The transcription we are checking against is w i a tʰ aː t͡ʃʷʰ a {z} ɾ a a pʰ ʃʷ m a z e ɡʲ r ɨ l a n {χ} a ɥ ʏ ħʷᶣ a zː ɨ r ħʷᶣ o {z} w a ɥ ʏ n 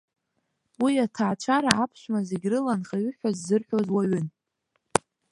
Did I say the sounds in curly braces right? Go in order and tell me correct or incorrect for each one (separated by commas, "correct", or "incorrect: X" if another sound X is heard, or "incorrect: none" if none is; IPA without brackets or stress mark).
incorrect: none, correct, correct